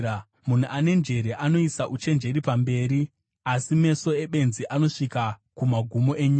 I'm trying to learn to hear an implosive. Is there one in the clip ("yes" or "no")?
yes